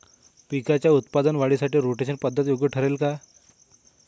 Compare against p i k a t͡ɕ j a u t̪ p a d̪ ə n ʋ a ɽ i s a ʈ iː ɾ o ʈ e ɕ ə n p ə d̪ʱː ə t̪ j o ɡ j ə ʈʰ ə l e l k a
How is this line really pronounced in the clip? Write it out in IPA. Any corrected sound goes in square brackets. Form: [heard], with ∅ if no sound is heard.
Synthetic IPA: p i k a t͡ɕ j a u t̪ p a d̪ ə n ʋ a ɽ i s a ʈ iː ɾ o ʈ e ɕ ə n p ə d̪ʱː ə t̪ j o ɡ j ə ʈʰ ə [ɾ] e l k a